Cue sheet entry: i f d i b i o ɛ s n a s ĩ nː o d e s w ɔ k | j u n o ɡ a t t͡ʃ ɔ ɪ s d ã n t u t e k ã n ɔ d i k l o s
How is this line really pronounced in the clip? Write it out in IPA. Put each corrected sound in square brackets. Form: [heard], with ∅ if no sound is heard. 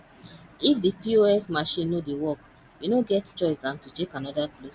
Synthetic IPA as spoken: i f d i [p] i o ɛ s [m] a [ʃ] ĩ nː o d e [∅] w ɔ k | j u n o ɡ [ɛ] t t͡ʃ ɔ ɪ s d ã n t u t e k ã n ɔ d [a] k l o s